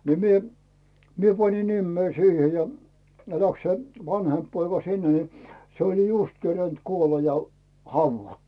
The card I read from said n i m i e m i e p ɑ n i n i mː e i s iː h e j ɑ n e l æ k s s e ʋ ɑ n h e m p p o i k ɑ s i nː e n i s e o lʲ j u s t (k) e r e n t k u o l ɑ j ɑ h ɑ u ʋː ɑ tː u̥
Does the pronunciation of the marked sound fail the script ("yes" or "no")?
no